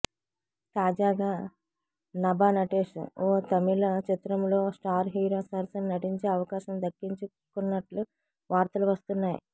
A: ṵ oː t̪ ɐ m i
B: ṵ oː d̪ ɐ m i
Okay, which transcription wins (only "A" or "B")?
A